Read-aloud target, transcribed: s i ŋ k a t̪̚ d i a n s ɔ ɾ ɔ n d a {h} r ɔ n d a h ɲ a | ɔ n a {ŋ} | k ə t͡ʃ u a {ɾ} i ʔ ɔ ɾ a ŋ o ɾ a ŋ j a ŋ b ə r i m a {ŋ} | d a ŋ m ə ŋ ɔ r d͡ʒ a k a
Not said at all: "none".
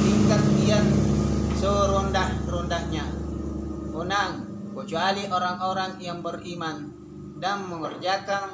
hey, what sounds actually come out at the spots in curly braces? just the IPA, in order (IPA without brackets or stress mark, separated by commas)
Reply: h, ŋ, l, n